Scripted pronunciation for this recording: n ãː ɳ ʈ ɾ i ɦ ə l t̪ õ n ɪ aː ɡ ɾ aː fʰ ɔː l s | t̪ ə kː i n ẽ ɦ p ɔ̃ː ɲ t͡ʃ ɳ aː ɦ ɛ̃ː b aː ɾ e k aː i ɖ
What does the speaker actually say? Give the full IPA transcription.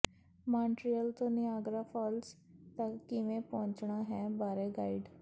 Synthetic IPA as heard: m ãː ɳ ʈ ɾ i ə l t̪ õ n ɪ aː ɡ ɾ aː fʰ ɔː l s | t̪ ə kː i m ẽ p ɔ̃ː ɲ t͡ʃ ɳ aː ɦ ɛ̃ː b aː ɾ e ɡ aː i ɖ